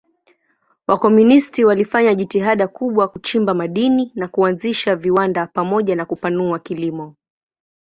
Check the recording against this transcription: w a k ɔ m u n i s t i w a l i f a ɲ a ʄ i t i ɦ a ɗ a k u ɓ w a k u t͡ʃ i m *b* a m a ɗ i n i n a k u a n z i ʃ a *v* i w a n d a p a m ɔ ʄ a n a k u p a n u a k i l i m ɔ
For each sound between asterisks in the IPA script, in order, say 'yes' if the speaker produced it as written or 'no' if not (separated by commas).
yes, yes